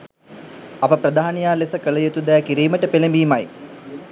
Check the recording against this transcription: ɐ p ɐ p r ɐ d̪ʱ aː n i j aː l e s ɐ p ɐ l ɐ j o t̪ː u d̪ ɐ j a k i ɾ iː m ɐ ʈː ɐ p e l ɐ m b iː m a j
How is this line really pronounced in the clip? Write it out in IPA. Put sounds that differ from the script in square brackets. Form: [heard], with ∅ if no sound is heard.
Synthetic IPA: ɐ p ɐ p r ɐ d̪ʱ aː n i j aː l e s ɐ [k] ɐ l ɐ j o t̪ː u d̪ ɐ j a k i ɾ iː m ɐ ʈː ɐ p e l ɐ m b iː m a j